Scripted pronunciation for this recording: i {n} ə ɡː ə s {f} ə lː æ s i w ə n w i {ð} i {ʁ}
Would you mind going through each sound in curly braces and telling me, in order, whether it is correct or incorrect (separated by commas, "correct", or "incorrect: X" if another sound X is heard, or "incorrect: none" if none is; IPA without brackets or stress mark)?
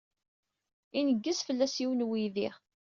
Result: correct, correct, correct, correct